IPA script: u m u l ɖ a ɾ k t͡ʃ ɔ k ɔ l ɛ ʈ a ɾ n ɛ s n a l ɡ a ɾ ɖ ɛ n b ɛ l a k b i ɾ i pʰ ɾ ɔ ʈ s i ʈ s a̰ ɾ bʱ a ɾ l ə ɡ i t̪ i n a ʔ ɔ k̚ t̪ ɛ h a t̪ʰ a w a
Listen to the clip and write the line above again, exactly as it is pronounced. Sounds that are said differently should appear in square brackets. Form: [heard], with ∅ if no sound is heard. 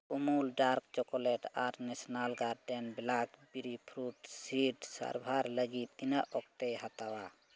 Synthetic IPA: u m u l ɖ a ɾ k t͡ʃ ɔ k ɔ l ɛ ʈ a ɾ n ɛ s n a l ɡ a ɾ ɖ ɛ n b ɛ l a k b i ɾ i pʰ ɾ [u] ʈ s i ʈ s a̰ ɾ bʱ a ɾ l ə ɡ i t̪ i n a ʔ ɔ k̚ t̪ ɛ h a [t̪] a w a